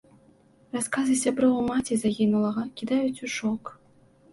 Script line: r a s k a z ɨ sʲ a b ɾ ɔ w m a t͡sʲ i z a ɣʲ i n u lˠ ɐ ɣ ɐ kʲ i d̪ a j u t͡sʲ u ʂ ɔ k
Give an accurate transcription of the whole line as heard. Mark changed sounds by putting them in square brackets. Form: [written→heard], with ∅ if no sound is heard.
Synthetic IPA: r a s k a z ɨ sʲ a b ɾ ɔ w m a t͡sʲ i z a ɣʲ i n u lˠ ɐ ɣ ɐ kʲ i d̪ a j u t͡sʲ u ʂ ɔ k